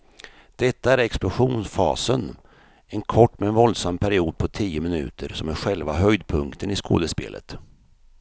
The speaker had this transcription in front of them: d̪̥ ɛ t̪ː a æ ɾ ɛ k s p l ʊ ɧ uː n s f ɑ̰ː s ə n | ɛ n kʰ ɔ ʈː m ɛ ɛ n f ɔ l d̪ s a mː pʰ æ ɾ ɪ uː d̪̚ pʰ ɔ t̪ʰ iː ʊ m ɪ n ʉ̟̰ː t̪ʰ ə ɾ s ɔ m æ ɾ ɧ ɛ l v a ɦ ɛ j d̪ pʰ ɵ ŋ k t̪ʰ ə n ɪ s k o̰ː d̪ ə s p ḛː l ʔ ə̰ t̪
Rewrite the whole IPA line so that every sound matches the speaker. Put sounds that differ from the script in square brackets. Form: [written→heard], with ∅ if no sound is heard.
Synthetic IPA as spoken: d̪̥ ɛ t̪ː a æ ɾ ɛ k s p l ʊ ɧ uː n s f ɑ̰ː s ə n | ɛ n kʰ ɔ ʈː m ɛ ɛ n [f→v] ɔ l d̪ s a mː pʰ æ ɾ ɪ uː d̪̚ pʰ ɔ t̪ʰ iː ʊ m ɪ n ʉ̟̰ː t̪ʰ ə ɾ s ɔ m æ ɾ ɧ ɛ l v a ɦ [ɛ→œ] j d̪ pʰ ɵ ŋ k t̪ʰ ə n ɪ s k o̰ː d̪ ə s p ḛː l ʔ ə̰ t̪